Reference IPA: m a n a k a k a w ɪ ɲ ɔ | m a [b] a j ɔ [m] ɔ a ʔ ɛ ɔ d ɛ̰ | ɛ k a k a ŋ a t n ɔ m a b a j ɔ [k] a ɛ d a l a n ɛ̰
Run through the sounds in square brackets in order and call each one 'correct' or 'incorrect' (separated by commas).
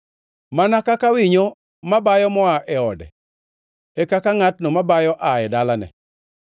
correct, correct, incorrect